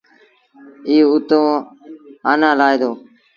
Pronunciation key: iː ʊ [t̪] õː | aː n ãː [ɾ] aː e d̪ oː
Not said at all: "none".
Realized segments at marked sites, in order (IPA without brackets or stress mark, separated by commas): t̪, l